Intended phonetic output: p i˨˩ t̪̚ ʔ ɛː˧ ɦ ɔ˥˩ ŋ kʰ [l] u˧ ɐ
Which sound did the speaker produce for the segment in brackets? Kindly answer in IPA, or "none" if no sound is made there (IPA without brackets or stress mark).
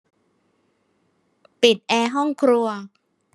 ɾ